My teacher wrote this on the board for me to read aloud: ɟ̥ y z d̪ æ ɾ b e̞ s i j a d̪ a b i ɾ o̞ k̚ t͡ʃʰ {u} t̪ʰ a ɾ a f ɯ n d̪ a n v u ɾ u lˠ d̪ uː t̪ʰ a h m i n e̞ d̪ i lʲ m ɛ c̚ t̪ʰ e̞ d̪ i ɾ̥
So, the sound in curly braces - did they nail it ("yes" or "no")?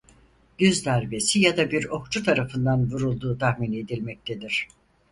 yes